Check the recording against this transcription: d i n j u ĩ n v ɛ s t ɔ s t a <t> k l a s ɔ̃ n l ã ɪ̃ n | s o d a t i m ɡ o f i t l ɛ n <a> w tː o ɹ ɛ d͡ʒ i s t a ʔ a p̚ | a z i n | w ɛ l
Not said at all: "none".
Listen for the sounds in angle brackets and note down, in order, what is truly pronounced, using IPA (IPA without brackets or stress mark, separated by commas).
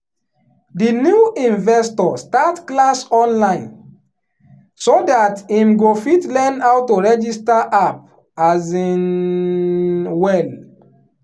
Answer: t, a